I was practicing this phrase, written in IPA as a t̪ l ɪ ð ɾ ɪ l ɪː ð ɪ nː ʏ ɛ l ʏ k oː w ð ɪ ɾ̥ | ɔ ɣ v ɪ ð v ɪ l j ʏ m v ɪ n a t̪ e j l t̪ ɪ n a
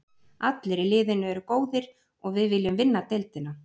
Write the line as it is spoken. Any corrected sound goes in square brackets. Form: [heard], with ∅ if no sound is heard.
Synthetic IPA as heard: a t̪ l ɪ [∅] ɾ ɪ l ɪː ð ɪ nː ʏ ɛ [ɾ] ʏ k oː w ð ɪ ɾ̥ | ɔ ɣ v ɪ ð v ɪ l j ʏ m v ɪ [nː] a t̪ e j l t̪ ɪ n a